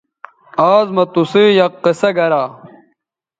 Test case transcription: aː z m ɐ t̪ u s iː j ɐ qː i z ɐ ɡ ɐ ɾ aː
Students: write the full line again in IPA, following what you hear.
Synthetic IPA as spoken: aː z m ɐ t̪ u s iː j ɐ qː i s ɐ ɡ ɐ ɾ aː